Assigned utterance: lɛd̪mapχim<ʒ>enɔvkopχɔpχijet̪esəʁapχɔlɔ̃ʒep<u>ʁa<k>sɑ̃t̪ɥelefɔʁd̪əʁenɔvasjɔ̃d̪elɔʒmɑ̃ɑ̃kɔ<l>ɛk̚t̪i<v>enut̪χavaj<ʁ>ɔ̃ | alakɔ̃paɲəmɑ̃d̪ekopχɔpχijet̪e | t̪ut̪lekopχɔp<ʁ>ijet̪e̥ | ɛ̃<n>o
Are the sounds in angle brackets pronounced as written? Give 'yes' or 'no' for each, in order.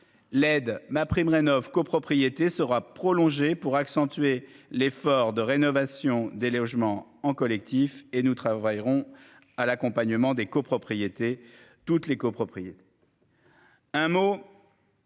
no, yes, yes, yes, no, yes, no, no

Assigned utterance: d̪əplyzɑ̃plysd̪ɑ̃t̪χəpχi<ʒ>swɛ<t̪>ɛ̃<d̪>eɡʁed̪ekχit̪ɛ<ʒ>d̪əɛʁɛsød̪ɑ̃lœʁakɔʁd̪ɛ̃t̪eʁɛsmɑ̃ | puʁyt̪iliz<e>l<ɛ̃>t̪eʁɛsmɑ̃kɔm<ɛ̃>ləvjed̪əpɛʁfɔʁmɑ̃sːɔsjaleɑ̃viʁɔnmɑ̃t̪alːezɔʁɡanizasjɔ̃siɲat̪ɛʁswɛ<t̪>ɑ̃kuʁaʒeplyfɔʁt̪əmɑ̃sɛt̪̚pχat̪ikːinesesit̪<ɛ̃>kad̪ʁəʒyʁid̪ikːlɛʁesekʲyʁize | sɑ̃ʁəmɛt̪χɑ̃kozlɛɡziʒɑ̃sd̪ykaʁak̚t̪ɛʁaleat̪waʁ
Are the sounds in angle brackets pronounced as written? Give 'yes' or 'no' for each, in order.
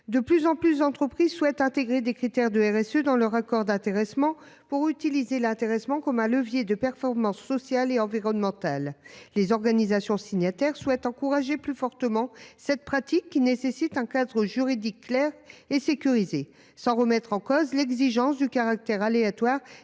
no, yes, no, no, yes, yes, yes, yes, yes

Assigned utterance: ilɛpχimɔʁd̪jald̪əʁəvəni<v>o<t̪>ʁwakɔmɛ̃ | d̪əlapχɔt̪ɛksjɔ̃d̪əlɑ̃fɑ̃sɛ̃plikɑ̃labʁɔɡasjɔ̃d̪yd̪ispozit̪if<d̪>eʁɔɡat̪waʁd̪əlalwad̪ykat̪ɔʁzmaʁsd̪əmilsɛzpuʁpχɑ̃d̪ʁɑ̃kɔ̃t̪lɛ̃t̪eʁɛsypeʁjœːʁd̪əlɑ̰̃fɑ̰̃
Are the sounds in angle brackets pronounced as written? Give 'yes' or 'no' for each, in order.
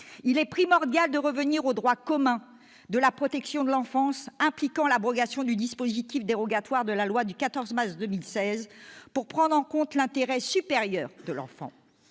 no, no, yes

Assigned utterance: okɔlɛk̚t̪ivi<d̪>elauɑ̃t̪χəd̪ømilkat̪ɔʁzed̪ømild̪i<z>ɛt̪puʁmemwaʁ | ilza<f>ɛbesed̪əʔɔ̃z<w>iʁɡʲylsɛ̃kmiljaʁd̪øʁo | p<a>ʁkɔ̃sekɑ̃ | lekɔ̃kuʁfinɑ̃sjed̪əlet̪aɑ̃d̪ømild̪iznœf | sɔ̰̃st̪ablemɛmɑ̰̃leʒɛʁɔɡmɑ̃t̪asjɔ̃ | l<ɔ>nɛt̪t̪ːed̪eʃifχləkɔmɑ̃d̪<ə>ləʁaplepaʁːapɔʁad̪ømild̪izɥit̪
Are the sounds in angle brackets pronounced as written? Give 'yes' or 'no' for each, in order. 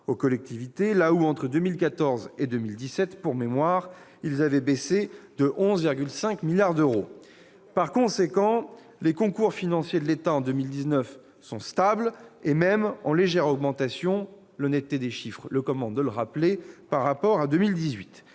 no, no, no, no, yes, yes, yes

